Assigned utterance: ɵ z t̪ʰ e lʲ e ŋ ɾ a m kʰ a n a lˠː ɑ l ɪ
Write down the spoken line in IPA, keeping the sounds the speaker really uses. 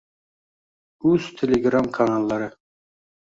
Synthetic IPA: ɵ z t̪ʰ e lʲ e ɡ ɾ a m kʰ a n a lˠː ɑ ɾ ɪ